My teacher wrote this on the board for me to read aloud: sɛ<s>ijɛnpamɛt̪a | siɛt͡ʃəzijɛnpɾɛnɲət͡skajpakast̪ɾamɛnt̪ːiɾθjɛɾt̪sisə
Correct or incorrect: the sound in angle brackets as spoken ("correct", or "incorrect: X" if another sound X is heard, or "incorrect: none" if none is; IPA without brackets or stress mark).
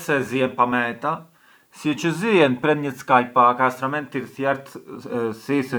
incorrect: z